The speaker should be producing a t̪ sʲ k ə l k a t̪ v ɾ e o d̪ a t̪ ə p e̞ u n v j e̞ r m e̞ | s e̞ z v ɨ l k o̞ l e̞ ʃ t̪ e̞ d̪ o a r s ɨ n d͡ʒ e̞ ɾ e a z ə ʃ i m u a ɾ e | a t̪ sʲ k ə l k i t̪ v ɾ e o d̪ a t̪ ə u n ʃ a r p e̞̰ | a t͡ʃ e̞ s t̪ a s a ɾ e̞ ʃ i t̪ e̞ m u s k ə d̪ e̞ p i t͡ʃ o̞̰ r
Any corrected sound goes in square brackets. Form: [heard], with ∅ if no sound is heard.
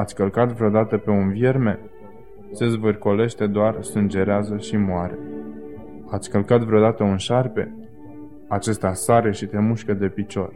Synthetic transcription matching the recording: a t̪ sʲ k ə l k a t̪ v ɾ e o d̪ a t̪ ə p e̞ u n v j e̞ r m e̞ | s e̞ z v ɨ [r] k o̞ l e̞ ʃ t̪ e̞ d̪ o a r s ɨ n d͡ʒ e̞ ɾ e a z ə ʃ i m [o] a ɾ e | a t̪ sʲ k ə l k [a] t̪ v ɾ e o d̪ a t̪ ə u n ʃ a r p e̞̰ | a t͡ʃ e̞ s t̪ a s a ɾ e̞ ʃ i t̪ e̞ m u [ʃ] k ə d̪ e̞ p i t͡ʃ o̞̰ r